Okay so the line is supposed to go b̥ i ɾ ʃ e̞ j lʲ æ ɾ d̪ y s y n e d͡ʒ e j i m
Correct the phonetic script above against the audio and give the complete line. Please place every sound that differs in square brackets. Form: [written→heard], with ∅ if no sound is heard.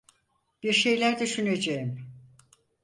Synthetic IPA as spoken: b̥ i ɾ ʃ e̞ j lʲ æ ɾ d̪ y [s→ʃ] y n e d͡ʒ e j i m